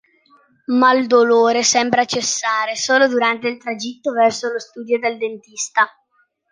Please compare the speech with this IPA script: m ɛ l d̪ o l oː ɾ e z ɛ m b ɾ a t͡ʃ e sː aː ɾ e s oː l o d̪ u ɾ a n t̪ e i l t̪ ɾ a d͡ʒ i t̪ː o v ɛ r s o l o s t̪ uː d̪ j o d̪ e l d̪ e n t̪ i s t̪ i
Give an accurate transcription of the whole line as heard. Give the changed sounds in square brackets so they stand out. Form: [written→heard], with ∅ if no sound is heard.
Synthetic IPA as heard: m [ɛ→a] l d̪ o l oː ɾ e [z→s] ɛ m b ɾ a t͡ʃ e sː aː ɾ e s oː l o d̪ u ɾ a n t̪ e i l t̪ ɾ a d͡ʒ i t̪ː o v ɛ r s o l o s t̪ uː d̪ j o d̪ e l d̪ e n t̪ i s t̪ [i→a]